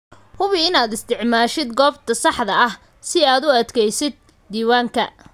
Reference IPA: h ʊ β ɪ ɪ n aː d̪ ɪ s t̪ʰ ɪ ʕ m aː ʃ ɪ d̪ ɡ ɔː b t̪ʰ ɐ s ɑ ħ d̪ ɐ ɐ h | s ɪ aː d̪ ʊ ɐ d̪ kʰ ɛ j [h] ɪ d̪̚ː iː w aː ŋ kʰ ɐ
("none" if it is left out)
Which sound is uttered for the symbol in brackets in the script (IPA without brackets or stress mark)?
s